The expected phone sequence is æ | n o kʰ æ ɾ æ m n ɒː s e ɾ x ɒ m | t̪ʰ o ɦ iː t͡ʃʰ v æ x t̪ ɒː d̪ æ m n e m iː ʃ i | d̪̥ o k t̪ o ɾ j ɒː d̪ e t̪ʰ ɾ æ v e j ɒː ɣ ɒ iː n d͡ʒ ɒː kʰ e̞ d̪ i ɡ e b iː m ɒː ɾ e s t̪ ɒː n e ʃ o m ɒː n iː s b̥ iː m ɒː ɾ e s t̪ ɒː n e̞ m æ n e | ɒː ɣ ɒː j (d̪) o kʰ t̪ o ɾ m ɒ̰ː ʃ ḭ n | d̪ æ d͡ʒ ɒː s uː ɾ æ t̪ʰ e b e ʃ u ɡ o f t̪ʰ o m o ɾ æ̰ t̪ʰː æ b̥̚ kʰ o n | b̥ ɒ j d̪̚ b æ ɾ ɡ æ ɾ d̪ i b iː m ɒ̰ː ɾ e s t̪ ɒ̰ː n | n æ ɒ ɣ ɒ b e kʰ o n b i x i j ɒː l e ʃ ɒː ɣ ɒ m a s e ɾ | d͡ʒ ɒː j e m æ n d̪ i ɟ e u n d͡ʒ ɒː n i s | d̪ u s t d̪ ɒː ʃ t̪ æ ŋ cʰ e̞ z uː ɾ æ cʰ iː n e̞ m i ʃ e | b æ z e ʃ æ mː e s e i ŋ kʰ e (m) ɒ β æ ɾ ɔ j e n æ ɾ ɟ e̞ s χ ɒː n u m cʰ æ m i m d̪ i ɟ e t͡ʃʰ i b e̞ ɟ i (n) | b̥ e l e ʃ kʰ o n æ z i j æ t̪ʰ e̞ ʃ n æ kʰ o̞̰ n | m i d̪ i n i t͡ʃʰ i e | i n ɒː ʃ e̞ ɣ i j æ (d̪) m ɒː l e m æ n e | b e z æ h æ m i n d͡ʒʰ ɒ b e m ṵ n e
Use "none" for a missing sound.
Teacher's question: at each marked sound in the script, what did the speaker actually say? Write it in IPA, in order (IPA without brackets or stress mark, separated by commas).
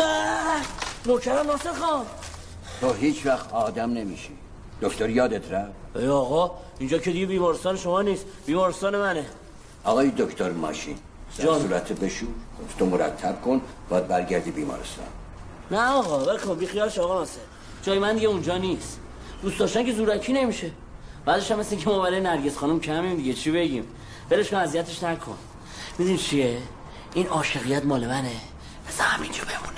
d̪, m, m, t̪